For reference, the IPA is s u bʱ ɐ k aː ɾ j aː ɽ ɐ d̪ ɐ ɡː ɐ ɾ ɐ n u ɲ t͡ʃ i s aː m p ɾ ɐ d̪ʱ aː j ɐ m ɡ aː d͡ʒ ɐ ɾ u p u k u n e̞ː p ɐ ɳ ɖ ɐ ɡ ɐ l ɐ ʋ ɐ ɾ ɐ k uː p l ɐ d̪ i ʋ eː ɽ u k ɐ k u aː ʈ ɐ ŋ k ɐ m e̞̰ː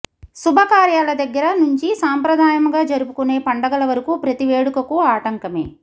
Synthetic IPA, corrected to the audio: s u bʱ ɐ k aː ɾ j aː l ɐ d̪ ɐ ɡː ɐ ɾ ɐ n u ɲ t͡ʃ i s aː m p ɾ ɐ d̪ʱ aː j ɐ m ɡ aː d͡ʒ ɐ ɾ u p u k u n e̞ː p ɐ ɳ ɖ ɐ ɡ ɐ l ɐ ʋ ɐ ɾ ɐ k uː p ɾ ɐ t̪ i ʋ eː ɽ u k ɐ k u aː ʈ ɐ ŋ k ɐ m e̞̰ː